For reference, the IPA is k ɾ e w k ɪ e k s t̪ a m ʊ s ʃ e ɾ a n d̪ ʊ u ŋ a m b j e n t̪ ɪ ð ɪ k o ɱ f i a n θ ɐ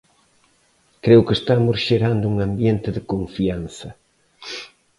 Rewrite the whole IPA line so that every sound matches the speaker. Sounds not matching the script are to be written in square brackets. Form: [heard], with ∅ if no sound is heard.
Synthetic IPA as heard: k ɾ e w k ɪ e [∅] s t̪ a m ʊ s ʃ e ɾ a n d̪ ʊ u ŋ a m b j e n t̪ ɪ ð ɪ k o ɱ f i a n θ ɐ